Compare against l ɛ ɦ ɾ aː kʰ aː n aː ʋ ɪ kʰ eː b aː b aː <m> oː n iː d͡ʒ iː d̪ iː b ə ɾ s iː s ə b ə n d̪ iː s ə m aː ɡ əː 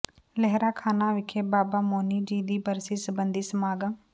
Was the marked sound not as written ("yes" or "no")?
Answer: no